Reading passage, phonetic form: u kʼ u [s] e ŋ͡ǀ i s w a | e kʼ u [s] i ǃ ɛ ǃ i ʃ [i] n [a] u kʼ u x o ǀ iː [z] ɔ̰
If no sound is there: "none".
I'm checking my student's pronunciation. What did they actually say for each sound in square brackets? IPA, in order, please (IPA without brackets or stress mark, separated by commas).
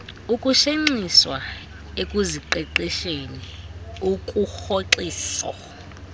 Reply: ʃ, z, e, i, s